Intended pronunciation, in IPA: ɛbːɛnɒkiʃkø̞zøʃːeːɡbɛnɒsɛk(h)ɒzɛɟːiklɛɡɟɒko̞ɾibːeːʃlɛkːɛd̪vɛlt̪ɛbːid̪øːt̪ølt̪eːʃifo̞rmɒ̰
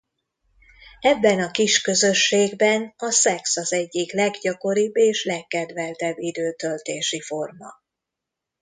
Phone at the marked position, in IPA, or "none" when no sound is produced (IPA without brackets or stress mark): s